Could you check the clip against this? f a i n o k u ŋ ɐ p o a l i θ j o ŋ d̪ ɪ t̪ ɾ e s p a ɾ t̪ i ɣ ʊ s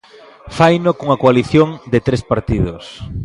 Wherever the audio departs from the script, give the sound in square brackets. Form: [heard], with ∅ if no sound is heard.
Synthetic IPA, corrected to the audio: f a [j] n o k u ŋ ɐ [k] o a l i θ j o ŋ d̪ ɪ t̪ ɾ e s p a ɾ t̪ i [ð] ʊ s